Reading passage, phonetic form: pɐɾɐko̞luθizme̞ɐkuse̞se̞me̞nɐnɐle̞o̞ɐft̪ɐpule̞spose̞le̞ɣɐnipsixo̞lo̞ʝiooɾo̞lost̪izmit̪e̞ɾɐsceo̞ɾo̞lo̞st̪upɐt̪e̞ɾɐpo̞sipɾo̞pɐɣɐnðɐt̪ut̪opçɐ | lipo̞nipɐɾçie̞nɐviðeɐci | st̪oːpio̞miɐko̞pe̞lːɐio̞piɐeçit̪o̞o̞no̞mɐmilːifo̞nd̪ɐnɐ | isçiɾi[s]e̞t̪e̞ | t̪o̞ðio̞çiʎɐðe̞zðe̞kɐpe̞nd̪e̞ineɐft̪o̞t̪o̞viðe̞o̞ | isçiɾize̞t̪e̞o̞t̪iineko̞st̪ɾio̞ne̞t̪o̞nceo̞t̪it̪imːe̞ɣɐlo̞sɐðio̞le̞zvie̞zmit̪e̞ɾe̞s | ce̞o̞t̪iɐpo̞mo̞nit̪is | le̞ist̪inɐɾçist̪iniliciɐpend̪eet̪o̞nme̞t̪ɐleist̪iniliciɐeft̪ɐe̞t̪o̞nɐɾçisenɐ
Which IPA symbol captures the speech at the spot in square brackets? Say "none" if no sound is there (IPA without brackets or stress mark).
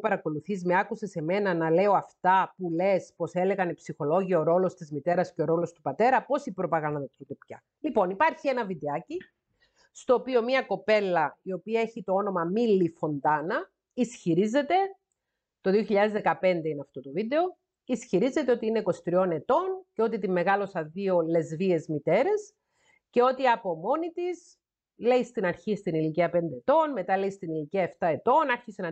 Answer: z